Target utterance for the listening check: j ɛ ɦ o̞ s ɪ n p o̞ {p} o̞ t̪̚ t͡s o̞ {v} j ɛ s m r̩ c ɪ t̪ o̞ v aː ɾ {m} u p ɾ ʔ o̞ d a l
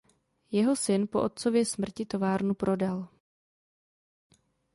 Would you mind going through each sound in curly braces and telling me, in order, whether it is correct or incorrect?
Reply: incorrect: ʔ, correct, incorrect: n

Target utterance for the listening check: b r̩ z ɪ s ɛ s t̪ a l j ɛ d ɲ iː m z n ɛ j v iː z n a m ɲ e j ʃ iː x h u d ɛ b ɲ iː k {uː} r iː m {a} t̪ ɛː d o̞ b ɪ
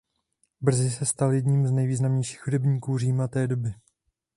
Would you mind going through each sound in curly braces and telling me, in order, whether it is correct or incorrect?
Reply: correct, correct

